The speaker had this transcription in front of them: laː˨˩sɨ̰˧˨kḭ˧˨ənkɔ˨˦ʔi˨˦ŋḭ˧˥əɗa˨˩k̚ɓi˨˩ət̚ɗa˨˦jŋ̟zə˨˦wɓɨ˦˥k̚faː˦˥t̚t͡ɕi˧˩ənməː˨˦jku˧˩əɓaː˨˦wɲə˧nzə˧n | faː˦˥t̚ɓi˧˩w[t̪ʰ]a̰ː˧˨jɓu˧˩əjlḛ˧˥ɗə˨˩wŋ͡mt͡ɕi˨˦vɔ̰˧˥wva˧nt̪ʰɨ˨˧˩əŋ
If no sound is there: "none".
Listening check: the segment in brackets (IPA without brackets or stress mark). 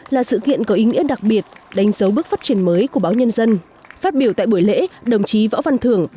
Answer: t̪